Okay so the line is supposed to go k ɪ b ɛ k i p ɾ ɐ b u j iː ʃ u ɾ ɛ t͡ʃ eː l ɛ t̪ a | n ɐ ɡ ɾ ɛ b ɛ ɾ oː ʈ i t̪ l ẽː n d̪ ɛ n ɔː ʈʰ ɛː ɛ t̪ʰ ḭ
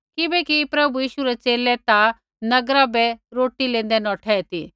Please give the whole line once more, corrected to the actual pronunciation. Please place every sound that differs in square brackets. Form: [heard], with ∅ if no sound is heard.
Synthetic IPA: k ɪ b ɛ k i p ɾ ɐ b u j iː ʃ u ɾ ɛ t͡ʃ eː l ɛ t̪ a | n ɐ ɡ ɾ [a] b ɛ ɾ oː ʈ i [∅] l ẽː n d̪ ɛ n ɔː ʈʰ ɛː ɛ [t̪] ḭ

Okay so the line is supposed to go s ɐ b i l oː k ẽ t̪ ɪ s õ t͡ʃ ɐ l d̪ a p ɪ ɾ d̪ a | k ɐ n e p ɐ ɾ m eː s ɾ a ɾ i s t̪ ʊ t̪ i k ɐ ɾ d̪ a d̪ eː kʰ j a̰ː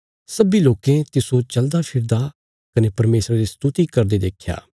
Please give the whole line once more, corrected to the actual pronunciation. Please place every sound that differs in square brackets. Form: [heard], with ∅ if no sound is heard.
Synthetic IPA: s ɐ b i l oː k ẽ t̪ ɪ s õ t͡ʃ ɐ l d̪ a [pʰ] ɪ ɾ d̪ a | k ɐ n e p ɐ ɾ m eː s ɾ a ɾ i s t̪ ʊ t̪ i k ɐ ɾ d̪ [e] d̪ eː kʰ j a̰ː

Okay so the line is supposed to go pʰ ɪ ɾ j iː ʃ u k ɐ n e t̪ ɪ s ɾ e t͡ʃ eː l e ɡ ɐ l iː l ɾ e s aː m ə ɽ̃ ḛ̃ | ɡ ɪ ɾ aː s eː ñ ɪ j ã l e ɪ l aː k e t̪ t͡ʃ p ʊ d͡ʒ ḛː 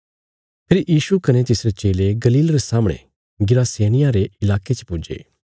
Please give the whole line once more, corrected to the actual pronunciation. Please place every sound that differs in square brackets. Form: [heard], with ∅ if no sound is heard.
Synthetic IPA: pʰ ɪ ɾ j iː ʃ u k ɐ n e t̪ ɪ s ɾ e t͡ʃ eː l e ɡ ɐ l iː l ɾ e s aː m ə ɽ̃ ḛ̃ | ɡ ɪ ɾ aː s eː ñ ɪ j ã [ɾ] e ɪ l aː k e [∅] t͡ʃ p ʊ d͡ʒ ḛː

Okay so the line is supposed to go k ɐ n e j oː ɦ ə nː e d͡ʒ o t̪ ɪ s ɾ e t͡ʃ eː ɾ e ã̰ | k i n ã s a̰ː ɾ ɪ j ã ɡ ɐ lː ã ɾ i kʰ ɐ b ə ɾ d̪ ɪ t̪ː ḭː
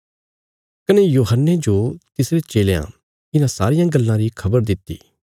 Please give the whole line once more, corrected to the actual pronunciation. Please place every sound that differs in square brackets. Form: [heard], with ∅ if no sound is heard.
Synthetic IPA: k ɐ n e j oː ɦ ə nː e d͡ʒ o t̪ ɪ s ɾ e t͡ʃ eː [l] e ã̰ | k [ɪ] n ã s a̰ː ɾ ɪ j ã ɡ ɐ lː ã ɾ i kʰ ɐ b ə ɾ d̪ ɪ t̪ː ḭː

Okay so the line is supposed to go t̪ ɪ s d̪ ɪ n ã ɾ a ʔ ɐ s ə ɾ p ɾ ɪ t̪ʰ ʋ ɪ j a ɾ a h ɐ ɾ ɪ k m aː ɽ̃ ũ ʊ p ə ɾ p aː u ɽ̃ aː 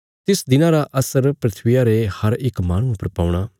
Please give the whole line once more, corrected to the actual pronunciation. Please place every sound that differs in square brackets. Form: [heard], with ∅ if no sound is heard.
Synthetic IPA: t̪ ɪ s d̪ ɪ n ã ɾ a ʔ ɐ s ə ɾ p ɾ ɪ t̪ʰ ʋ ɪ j a ɾ [e] h ɐ ɾ ɪ k m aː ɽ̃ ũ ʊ p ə ɾ p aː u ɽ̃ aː

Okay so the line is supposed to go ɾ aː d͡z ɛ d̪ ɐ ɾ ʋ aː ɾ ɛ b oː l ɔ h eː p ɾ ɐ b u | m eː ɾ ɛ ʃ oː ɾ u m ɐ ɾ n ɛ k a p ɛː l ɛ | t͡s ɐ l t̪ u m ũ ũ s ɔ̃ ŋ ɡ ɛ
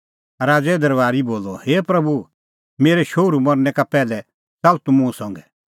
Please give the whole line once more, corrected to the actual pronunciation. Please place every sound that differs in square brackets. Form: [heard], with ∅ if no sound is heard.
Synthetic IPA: ɾ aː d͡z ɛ d̪ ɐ ɾ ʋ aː ɾ [i] b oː l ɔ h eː p ɾ ɐ b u | m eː ɾ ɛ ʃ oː ɾ u m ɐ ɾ n ɛ k a p ɛː l ɛ | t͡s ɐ l t̪ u m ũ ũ s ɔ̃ ŋ ɡ ɛ

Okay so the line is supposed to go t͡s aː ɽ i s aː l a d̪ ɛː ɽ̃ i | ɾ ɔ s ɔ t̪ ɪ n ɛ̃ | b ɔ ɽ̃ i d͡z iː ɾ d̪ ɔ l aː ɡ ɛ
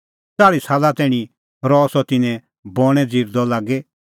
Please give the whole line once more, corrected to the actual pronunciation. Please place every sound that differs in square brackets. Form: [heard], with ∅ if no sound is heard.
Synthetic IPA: t͡s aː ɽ i s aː l a [t̪] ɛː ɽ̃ i | ɾ ɔ s ɔ t̪ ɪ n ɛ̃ | b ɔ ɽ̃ [ɛ] d͡z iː ɾ d̪ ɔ l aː ɡ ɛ

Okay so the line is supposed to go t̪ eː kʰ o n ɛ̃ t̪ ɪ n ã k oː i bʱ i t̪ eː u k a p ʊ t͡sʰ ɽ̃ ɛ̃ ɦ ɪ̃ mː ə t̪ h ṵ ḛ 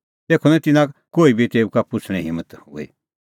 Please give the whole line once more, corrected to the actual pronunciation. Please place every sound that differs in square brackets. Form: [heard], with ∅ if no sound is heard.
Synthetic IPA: t̪ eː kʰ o n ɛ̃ t̪ ɪ n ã k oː i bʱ i t̪ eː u k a p ʊ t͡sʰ ɽ̃ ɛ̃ ɦ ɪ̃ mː ə t̪ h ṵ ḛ

